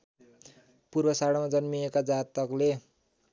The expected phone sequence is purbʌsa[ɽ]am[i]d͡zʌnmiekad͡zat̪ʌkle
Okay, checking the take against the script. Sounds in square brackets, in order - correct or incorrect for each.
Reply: correct, incorrect: a

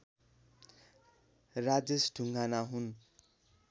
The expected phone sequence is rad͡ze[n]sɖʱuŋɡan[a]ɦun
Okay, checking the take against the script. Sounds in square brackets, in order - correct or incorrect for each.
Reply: incorrect: none, correct

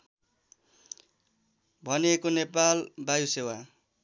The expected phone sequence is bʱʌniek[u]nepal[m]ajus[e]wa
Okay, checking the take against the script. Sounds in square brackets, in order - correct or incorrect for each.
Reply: incorrect: o, incorrect: b, correct

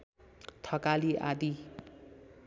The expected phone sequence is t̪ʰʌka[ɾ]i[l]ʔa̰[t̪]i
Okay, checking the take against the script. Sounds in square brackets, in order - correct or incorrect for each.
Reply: incorrect: l, incorrect: none, incorrect: d̪

